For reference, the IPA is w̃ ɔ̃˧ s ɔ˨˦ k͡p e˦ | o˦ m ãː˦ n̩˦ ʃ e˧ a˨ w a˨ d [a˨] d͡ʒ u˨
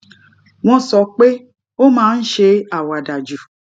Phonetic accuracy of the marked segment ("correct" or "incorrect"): correct